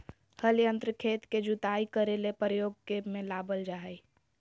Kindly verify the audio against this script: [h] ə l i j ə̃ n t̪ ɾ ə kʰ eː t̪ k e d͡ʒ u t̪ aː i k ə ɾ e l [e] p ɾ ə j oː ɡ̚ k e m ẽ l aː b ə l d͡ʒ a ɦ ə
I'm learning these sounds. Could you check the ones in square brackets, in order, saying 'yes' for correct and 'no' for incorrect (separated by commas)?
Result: yes, yes